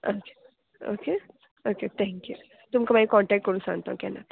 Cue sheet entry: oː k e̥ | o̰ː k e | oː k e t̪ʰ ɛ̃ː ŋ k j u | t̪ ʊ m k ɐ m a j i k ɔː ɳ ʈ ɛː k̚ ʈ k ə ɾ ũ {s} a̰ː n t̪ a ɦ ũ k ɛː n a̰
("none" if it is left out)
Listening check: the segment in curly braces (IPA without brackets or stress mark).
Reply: s